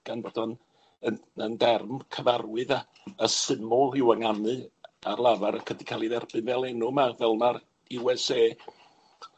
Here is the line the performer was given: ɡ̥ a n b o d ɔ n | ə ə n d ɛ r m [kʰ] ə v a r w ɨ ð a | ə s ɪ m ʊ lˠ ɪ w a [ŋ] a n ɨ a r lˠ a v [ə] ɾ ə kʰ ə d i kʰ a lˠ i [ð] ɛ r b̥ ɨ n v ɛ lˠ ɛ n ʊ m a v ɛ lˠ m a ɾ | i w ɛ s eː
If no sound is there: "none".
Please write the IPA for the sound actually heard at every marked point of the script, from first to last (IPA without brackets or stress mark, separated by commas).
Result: kʰ, ŋ, a, ð